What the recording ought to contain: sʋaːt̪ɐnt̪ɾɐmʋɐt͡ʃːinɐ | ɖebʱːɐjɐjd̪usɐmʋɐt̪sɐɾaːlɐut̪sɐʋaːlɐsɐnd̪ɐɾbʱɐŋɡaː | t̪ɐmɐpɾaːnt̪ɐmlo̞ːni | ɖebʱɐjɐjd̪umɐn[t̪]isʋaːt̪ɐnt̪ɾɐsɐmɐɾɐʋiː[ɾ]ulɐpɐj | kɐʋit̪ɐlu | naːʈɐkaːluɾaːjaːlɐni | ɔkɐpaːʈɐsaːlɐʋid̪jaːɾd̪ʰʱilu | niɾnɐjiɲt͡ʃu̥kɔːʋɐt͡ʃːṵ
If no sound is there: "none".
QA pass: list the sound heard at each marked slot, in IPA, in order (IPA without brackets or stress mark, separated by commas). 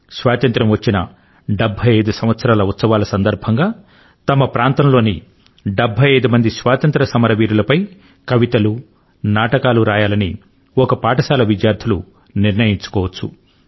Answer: d̪, ɾ